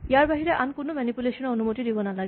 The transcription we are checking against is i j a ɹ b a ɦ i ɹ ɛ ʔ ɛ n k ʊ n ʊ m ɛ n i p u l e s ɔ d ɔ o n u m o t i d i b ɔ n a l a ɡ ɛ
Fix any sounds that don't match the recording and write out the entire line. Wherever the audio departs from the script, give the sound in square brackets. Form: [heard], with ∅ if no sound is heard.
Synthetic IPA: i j a ɹ b a ɦ i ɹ ɛ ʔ [a] n k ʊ n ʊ m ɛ n i p u l e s ɔ [n] ɔ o n u m o t i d i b ɔ n a l a ɡ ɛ